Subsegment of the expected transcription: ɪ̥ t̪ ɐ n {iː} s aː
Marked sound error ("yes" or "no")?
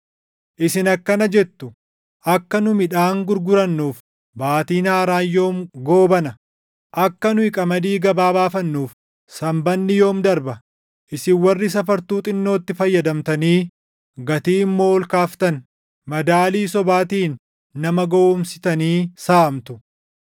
no